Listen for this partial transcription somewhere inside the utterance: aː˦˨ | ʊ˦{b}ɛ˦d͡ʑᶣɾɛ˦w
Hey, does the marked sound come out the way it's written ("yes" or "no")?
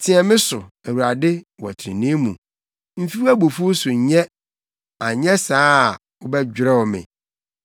yes